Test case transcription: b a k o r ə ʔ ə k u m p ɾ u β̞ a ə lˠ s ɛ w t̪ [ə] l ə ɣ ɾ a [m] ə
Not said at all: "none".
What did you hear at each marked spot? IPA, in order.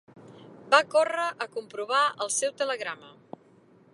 ə, m

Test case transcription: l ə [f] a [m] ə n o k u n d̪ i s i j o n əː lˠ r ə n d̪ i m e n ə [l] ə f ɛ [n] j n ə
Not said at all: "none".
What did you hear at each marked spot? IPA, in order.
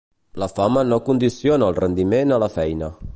f, m, l, none

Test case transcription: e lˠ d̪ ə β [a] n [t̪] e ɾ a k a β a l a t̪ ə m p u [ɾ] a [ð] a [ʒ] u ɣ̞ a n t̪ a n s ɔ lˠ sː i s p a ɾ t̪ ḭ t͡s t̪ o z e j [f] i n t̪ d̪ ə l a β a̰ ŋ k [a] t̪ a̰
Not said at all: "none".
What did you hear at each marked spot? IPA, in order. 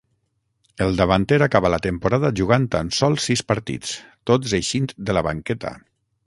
a, t̪, ɾ, ð, ʒ, ʃ, ɛ

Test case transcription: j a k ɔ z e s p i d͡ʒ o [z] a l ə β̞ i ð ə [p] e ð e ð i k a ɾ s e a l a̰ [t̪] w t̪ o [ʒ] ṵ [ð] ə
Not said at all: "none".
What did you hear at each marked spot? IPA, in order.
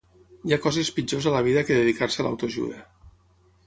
z, k, none, ʒ, ð

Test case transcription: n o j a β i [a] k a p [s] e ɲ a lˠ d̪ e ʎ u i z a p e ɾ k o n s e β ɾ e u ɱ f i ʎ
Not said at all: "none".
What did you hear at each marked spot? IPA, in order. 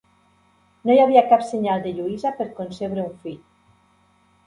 a, s

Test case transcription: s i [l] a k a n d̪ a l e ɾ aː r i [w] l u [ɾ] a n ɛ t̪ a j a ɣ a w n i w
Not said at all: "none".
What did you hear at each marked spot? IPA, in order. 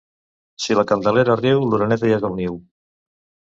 l, w, ɾ

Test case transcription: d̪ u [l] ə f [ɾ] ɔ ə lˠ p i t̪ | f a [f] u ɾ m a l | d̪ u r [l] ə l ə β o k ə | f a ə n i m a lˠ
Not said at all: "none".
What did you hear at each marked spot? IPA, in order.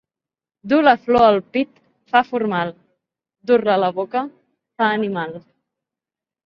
l, l, f, l

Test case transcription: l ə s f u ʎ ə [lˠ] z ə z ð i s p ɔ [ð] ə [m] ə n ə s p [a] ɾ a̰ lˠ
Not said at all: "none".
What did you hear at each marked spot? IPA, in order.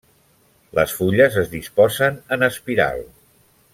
none, z, n, i

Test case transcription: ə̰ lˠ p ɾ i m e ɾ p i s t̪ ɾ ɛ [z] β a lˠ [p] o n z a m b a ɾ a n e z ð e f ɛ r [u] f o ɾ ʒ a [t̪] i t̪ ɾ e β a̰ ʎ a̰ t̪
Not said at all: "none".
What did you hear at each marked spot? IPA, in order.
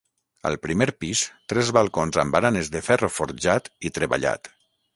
z, k, o, t̪

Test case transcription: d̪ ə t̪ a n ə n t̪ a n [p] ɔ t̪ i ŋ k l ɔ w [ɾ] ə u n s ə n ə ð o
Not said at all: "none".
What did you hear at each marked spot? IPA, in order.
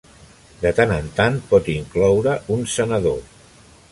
p, ɾ

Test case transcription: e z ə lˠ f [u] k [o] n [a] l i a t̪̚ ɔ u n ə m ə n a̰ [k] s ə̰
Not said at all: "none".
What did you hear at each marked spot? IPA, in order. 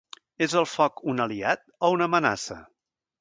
ɔ, u, ə, none

